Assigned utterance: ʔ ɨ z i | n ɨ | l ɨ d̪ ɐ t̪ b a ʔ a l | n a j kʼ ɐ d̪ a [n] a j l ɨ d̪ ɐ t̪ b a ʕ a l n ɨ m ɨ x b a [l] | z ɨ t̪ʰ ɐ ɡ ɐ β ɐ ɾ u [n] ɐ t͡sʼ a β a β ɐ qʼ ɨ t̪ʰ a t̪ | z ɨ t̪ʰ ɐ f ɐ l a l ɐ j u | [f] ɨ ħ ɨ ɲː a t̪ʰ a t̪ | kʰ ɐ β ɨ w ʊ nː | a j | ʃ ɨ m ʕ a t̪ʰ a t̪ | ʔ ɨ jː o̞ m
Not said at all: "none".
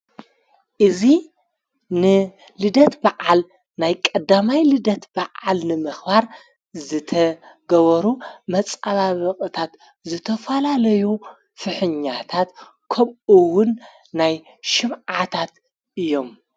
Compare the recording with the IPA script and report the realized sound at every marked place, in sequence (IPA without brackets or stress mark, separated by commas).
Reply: m, ɾ, m, f